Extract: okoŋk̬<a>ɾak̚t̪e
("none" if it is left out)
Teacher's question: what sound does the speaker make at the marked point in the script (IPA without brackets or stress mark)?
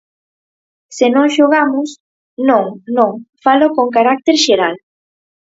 a